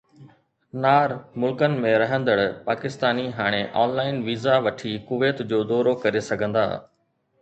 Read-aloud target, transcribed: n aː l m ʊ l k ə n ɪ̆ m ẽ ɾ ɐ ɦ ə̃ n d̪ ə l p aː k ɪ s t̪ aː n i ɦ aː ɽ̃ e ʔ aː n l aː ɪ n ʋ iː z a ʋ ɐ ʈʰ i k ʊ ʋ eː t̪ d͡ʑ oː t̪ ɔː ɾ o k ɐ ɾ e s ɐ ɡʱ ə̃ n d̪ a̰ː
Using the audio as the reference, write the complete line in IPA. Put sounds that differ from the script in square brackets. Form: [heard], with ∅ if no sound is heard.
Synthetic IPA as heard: n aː [ɾ] m ʊ l k ə n ɪ̆ m ẽ ɾ ɐ ɦ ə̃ n d̪ ə [ɽ] p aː k ɪ s t̪ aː n i ɦ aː ɽ̃ e ʔ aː n l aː ɪ n ʋ iː z a ʋ ɐ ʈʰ i k ʊ ʋ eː t̪ d͡ʑ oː [d̪] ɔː ɾ o k ɐ ɾ e s ɐ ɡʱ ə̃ n d̪ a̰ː